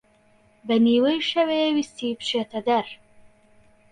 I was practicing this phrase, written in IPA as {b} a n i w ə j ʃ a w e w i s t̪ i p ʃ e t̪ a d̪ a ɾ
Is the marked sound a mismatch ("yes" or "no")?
no